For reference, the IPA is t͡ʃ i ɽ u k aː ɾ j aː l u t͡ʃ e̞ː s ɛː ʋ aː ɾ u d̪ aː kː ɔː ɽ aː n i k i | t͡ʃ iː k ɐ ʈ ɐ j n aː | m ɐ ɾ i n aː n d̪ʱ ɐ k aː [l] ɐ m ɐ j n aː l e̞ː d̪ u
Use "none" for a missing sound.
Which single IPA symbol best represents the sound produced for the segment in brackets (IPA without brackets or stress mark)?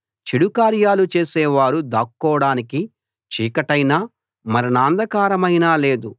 ɾ